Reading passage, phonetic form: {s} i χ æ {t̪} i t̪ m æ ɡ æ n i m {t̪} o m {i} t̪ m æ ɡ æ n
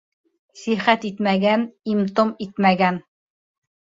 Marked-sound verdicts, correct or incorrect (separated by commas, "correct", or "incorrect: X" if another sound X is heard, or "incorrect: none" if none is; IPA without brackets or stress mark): correct, correct, correct, correct